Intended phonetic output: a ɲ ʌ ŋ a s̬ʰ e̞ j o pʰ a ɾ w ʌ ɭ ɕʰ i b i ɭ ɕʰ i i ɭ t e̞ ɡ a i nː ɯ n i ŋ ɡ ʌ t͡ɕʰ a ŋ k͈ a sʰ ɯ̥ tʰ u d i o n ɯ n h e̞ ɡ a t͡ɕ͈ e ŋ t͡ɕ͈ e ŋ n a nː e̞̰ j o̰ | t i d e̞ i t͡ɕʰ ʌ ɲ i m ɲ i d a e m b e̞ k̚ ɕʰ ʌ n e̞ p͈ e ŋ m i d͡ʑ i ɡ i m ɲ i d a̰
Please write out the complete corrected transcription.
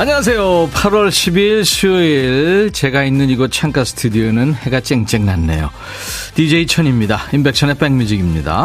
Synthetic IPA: a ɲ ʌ ŋ a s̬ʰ e̞ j o pʰ a ɾ w ʌ ɭ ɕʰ i b i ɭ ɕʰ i i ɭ t͡ɕ e̞ ɡ a i nː ɯ n i ɡ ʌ t͡ɕʰ a ŋ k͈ a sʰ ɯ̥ tʰ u d i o n ɯ n h e̞ ɡ a t͡ɕ͈ e ŋ t͡ɕ͈ e ŋ n a nː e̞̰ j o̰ | t i d͡ʑ e̞ i t͡ɕʰ ʌ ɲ i m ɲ i d a i m b e̞ k̚ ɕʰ ʌ n e̞ p͈ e ŋ m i d͡ʑ i ɡ i m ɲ i d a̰